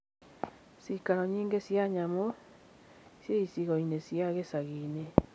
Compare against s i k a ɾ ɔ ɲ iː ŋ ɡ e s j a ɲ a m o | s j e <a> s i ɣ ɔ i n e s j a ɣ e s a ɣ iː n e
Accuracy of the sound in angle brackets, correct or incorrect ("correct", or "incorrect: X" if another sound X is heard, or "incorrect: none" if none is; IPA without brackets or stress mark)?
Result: incorrect: i